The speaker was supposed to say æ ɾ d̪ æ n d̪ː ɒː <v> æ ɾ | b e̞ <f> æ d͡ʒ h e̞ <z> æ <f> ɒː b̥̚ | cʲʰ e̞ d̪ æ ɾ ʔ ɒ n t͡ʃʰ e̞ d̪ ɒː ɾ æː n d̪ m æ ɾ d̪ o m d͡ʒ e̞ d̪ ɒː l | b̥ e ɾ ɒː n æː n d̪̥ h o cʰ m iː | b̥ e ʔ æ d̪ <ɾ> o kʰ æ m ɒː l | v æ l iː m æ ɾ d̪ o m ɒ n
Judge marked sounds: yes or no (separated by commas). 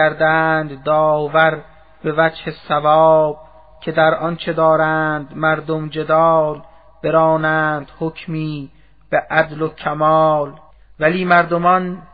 yes, no, no, no, no